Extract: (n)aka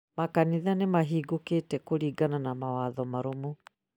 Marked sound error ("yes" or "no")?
yes